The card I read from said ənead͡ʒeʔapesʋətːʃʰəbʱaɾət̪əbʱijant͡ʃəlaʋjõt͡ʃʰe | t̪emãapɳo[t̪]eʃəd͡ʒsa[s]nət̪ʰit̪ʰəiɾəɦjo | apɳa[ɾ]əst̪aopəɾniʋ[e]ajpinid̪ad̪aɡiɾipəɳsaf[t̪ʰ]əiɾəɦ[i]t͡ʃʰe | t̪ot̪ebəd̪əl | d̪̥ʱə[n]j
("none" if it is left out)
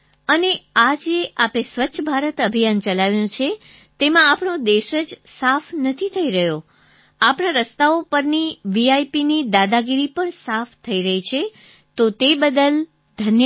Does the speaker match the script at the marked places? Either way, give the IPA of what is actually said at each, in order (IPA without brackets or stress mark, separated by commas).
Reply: d̪, f, ɾ, i, t̪ʰ, i, n